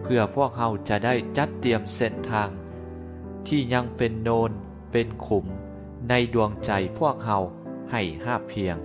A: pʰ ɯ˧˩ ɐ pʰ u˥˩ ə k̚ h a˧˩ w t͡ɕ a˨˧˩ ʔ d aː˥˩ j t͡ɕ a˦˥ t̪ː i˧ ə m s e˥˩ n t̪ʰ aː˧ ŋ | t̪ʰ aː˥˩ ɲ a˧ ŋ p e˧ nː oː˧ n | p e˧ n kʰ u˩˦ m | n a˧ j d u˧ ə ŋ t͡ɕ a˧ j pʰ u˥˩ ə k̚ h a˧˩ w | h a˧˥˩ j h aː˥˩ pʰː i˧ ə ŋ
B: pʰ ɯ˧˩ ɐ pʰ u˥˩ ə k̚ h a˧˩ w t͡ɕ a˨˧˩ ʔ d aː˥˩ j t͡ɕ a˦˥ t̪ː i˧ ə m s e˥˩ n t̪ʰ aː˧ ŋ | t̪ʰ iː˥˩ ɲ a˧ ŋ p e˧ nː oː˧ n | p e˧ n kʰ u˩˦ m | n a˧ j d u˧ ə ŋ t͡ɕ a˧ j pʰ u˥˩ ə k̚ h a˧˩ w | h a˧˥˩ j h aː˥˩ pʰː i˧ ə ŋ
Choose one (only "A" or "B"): B